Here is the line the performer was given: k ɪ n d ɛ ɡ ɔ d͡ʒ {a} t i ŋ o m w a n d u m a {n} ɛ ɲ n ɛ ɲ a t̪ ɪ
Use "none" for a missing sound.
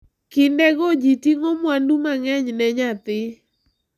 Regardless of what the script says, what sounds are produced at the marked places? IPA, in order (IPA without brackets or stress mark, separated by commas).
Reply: i, ŋ